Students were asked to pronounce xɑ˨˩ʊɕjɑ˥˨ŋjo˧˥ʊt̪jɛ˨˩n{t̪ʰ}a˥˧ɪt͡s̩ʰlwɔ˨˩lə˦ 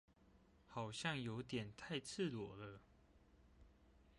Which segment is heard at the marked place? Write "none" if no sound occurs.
t̪ʰ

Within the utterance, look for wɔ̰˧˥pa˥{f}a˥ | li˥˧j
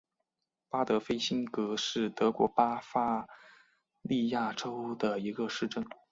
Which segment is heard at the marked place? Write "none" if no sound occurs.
f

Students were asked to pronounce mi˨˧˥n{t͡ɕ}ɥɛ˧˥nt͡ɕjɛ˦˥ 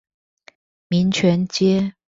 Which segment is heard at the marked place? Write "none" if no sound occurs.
t͡ɕʰ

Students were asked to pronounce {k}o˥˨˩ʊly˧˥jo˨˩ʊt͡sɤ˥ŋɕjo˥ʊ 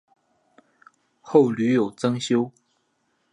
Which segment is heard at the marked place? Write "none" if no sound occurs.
x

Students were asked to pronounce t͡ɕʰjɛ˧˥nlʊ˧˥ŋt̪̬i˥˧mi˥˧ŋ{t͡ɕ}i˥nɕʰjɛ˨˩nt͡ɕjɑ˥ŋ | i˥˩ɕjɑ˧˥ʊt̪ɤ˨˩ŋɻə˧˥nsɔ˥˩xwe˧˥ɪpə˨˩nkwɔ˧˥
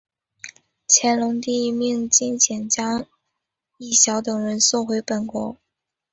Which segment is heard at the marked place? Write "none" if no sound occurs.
t͡ɕ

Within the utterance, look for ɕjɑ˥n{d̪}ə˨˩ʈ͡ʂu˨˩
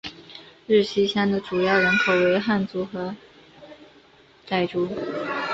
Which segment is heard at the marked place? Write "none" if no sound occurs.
d̪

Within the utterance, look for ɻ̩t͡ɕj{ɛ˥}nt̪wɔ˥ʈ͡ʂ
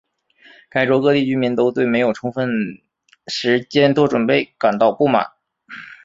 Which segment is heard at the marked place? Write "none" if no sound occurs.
ɛ˥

